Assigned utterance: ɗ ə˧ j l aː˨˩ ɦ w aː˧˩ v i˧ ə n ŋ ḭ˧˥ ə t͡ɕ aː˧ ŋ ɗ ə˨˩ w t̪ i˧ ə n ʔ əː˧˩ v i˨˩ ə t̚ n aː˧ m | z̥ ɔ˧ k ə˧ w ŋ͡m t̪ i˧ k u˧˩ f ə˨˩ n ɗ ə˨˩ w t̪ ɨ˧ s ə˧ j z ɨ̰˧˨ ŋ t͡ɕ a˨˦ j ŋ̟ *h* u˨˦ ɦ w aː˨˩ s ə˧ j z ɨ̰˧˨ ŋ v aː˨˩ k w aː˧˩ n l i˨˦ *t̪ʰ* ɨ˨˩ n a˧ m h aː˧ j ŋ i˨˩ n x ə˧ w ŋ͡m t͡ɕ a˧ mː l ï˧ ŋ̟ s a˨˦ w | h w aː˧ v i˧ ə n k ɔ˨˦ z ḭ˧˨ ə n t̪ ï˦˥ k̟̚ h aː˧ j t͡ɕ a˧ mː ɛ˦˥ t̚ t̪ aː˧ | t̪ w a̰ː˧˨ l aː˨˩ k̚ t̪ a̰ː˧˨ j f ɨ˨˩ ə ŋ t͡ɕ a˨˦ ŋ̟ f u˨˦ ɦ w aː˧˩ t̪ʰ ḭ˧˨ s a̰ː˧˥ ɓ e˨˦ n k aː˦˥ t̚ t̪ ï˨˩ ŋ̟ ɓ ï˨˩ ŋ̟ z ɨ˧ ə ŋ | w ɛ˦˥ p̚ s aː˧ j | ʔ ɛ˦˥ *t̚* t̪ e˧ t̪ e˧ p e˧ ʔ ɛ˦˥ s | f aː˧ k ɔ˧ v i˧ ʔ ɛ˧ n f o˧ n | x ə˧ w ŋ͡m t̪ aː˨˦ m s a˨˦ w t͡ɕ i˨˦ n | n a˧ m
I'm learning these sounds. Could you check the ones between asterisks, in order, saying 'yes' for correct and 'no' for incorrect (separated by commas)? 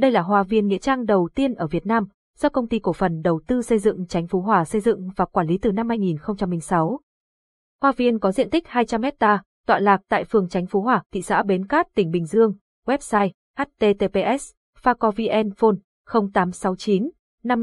no, no, yes